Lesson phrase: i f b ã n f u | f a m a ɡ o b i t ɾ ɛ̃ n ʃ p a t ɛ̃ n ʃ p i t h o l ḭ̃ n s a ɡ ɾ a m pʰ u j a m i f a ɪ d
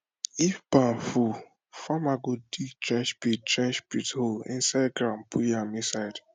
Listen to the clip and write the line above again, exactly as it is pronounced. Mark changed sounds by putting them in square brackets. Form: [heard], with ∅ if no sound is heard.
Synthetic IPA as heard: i f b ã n f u | f a m a ɡ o [d] i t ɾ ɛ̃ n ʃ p [i] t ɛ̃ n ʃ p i t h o l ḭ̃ n s a ɡ ɾ a m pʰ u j a m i [s] a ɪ d